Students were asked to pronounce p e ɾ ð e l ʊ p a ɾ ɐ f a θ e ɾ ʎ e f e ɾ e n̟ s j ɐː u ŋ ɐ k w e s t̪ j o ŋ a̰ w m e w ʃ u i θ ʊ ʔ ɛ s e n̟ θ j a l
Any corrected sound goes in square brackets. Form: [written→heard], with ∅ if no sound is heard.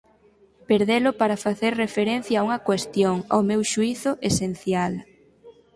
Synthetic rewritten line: p e ɾ ð e l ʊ p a ɾ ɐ f a θ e ɾ [ʎ→r] e f e ɾ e n̟ [s→θ] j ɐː u ŋ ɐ k w e s t̪ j o ŋ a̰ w m e w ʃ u i θ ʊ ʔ [ɛ→e] s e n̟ θ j a l